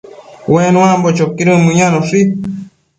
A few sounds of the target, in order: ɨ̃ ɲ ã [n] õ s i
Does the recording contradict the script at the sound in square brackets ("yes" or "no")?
no